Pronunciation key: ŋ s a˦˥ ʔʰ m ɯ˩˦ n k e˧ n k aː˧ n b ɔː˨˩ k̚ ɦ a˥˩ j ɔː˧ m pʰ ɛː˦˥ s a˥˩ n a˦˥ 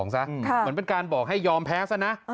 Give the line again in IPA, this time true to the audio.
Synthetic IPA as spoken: ŋ s a˦˥ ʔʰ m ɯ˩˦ n p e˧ n k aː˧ n b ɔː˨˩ k̚ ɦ a˥˩ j ɔː˧ m pʰ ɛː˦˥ s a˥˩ n a˦˥